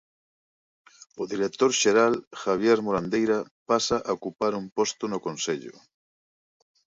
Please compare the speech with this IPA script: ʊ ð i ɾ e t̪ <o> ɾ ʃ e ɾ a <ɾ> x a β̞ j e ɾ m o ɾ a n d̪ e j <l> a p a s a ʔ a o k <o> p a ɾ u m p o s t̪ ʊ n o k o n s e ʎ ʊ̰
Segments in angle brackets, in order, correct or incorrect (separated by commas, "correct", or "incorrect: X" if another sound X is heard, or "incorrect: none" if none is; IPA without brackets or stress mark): correct, incorrect: l, incorrect: ɾ, incorrect: u